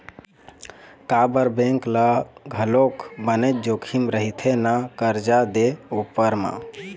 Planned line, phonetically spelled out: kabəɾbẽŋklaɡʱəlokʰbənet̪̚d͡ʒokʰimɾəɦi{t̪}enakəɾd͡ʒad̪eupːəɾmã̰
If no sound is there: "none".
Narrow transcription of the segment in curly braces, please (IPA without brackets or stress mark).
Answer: t̪ʰ